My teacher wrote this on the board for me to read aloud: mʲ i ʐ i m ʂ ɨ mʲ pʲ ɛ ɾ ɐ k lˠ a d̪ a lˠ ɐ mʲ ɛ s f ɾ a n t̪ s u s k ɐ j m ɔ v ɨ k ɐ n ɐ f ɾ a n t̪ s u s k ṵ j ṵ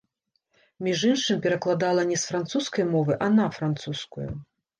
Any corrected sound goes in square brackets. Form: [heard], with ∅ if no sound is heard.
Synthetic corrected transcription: mʲ i ʐ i [n] ʂ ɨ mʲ pʲ ɛ ɾ ɐ k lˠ a d̪ a lˠ ɐ [nʲ] ɛ s f ɾ a n t̪ s u s k ɐ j m ɔ v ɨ [ʔ] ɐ n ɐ f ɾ a n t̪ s u s k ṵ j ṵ